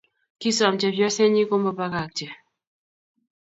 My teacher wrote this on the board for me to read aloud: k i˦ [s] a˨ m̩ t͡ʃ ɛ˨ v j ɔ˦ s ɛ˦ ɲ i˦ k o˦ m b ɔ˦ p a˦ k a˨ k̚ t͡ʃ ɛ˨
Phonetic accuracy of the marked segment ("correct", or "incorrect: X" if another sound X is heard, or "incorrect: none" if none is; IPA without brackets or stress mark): correct